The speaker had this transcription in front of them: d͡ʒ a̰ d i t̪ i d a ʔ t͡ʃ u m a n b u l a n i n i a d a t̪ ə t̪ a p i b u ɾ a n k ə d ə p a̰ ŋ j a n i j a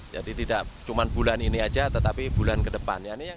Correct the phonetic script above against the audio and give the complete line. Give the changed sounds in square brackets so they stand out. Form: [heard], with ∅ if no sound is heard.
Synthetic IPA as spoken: d͡ʒ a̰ d i t̪ i d a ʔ t͡ʃ u m a n b u l a n i n i a [d͡ʒ] a t̪ ə t̪ a p i b u [l] a n k ə d ə p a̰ [n] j a n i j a